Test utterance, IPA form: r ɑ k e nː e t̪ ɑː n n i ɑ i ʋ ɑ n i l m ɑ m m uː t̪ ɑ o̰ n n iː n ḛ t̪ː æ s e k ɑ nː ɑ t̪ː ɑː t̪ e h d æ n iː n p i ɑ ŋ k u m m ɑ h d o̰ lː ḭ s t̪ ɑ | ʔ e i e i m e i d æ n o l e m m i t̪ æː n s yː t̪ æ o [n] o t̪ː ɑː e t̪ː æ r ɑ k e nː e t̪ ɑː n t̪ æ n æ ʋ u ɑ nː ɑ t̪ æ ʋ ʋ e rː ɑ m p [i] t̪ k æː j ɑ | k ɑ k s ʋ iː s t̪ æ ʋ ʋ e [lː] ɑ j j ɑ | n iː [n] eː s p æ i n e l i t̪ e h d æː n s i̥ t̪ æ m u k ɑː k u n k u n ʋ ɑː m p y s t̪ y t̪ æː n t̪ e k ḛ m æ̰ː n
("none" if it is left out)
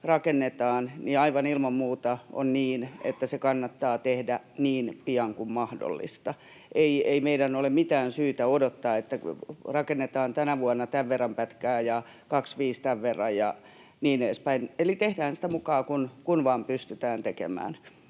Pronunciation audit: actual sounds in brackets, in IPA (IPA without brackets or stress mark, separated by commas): d, æ, rː, n